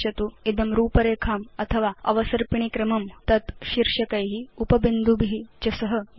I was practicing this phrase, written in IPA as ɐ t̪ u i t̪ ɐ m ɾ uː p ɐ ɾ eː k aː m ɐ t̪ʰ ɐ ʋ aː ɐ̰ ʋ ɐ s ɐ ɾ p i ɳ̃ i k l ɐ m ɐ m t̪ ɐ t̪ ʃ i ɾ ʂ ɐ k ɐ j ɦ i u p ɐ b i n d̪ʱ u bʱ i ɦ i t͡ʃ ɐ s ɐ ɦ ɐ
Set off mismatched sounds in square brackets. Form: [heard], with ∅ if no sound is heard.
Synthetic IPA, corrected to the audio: ɐ t̪ u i [d̪] ɐ m ɾ uː p ɐ ɾ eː [kʰ] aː m ɐ t̪ʰ ɐ ʋ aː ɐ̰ ʋ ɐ s ɐ ɾ p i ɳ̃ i k [ɾ] ɐ m ɐ m t̪ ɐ t̪ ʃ i ɾ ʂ ɐ k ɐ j ɦ i u p ɐ b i n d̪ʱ u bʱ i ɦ i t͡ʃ ɐ s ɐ ɦ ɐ